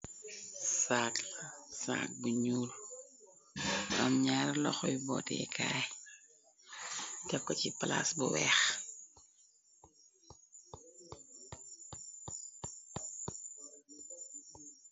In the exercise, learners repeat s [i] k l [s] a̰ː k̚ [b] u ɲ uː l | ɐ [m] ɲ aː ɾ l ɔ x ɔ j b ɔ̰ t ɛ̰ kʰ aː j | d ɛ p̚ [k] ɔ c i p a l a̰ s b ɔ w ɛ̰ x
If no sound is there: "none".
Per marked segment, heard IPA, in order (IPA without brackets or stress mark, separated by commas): a, s, b, m, k